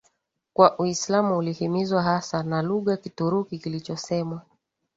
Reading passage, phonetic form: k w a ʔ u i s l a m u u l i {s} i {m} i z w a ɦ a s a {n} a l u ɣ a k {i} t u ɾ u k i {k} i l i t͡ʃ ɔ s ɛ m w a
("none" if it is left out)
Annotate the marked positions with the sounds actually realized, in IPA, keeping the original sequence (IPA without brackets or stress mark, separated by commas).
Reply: h, m, n, i, k